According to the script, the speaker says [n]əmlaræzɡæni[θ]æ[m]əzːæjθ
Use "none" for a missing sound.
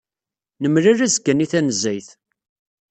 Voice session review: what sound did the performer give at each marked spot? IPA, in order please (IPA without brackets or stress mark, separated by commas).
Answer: n, θ, n